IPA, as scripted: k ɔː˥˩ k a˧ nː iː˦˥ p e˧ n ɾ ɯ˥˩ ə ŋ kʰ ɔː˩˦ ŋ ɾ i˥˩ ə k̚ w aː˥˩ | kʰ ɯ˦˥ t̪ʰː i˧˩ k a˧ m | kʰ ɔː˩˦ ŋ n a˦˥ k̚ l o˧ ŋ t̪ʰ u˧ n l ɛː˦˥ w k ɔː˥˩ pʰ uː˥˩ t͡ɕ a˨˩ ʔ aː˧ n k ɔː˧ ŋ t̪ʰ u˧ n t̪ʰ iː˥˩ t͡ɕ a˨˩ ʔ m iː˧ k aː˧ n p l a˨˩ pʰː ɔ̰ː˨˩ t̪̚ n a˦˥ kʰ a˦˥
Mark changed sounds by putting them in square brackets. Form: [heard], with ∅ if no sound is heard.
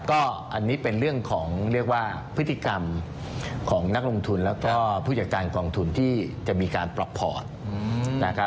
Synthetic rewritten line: k ɔː˥˩ [ʔ] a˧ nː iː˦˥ p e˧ n ɾ ɯ˥˩ ə ŋ kʰ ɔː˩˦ ŋ ɾ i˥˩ ə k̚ w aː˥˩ | [pʰ] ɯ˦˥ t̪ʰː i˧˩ k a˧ m | kʰ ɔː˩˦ ŋ n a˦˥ k̚ l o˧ ŋ t̪ʰ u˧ n l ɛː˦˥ w k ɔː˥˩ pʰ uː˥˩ t͡ɕ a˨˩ [k] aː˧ n k ɔː˧ ŋ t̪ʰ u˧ n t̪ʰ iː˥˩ t͡ɕ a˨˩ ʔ m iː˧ k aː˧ n p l a˨˩ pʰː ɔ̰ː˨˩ t̪̚ n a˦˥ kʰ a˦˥